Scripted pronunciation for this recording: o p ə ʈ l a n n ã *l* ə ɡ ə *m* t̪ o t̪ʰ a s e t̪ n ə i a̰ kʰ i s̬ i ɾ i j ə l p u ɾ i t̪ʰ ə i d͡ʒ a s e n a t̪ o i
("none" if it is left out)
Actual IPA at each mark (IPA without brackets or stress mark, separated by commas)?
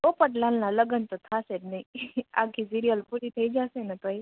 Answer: l, n